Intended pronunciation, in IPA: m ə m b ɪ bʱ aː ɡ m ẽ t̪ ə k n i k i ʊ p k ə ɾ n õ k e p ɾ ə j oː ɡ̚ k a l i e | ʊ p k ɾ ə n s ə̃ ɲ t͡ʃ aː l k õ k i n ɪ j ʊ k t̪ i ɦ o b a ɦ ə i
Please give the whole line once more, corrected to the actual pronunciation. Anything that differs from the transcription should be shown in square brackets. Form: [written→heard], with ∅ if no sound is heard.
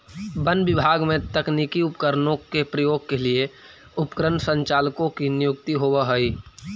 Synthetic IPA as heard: [m→b] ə [m→n] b ɪ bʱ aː ɡ m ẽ t̪ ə k n i k i ʊ p k ə ɾ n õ k e p ɾ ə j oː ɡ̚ k [a→e] l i e | ʊ p k ɾ ə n s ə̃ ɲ t͡ʃ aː l k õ k i n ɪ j ʊ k t̪ i ɦ o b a ɦ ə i